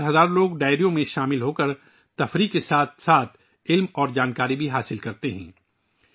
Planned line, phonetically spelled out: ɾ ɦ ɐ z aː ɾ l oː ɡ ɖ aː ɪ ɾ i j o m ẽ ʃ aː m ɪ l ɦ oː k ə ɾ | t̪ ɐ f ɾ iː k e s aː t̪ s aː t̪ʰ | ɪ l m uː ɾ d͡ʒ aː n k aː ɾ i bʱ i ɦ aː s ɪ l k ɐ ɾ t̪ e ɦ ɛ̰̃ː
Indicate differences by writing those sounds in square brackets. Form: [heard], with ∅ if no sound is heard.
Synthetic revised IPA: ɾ ɦ ɐ z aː ɾ l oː ɡ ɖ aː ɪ ɾ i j [õ] m ẽ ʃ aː m ɪ l ɦ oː k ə ɾ | t̪ ɐ f ɾ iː k e s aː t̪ s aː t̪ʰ | ɪ l m [ɔː] ɾ d͡ʒ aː n k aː ɾ i bʱ i ɦ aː s ɪ l k ɐ ɾ t̪ e ɦ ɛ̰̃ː